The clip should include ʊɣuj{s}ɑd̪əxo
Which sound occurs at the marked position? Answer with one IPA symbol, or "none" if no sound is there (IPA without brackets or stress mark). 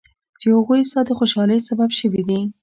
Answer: s